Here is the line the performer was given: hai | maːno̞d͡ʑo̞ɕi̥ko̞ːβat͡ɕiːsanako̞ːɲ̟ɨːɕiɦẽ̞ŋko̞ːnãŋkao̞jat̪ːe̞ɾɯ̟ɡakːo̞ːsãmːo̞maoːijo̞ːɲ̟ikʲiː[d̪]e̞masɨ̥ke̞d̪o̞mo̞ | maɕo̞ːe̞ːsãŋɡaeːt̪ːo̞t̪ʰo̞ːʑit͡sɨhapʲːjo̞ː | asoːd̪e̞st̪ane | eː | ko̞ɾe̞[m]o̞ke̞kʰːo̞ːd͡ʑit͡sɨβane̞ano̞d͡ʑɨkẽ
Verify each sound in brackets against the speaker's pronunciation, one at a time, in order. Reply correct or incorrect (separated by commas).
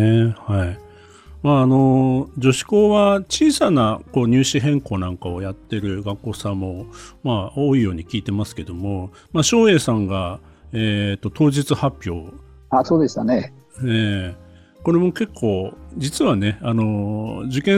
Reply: incorrect, correct